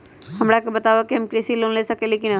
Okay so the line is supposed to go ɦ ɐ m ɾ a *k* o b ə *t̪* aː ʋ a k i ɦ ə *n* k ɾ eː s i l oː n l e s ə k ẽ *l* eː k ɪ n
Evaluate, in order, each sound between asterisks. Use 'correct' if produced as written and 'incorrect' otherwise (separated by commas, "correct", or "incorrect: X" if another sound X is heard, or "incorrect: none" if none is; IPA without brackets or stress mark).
correct, correct, incorrect: m, correct